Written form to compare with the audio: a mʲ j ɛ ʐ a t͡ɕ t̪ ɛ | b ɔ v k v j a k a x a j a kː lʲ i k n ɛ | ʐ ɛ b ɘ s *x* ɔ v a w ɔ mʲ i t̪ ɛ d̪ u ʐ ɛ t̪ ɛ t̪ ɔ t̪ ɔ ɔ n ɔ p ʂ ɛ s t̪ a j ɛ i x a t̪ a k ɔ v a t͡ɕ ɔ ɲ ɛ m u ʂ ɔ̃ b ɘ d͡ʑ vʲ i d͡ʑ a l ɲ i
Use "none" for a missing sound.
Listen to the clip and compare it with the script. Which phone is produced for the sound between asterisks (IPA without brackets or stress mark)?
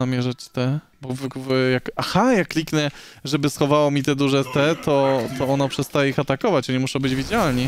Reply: x